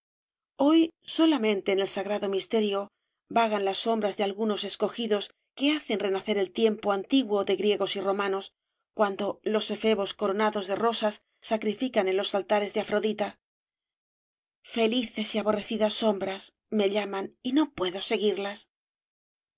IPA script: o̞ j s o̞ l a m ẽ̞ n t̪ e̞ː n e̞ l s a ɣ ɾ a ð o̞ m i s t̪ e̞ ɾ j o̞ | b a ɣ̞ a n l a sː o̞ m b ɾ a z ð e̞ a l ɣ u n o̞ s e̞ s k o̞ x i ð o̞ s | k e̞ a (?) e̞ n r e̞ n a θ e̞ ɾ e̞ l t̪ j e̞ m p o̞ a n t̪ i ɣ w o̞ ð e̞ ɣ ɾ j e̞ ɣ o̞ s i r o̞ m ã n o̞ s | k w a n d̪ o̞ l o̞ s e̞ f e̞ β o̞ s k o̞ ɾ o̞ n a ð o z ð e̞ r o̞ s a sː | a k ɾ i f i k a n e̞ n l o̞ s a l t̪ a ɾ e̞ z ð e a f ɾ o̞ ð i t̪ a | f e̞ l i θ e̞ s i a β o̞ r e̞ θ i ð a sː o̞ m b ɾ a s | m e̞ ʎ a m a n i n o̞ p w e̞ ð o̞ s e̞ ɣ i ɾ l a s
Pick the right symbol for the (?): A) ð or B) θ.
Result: B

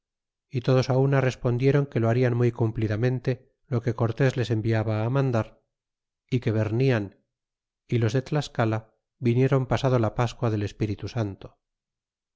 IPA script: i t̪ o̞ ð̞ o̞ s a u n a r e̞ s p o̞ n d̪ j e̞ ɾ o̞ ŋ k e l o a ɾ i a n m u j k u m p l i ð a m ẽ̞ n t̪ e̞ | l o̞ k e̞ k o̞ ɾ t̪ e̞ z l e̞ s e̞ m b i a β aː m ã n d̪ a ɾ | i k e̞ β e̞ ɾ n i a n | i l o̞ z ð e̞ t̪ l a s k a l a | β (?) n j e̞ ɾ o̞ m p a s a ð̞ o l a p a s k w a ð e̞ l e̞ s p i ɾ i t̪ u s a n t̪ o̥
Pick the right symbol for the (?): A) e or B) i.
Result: B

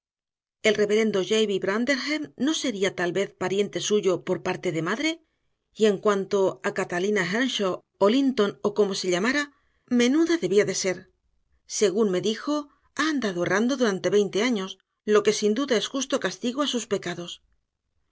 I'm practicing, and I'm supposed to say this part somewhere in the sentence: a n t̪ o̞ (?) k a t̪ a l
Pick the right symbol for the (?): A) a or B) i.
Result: A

